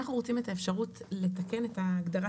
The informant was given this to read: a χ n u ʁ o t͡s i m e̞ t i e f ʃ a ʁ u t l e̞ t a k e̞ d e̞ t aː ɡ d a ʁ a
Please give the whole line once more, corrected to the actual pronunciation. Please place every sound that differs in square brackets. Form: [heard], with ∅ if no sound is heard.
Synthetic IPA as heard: a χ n u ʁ o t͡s i m e̞ t [a] e f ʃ a ʁ u t l e̞ t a k e̞ [n] e̞ t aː ɡ d a ʁ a